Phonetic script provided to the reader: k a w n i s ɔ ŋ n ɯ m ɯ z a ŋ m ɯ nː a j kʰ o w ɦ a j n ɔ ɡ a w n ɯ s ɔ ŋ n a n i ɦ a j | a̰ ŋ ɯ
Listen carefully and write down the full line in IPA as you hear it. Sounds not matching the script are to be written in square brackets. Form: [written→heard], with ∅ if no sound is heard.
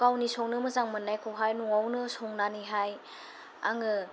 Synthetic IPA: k a w n i s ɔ ŋ n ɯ m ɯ z a ŋ m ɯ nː a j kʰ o w ɦ a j n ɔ [ɡ→ŋ] a w n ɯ s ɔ ŋ n a n i ɦ a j | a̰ ŋ ɯ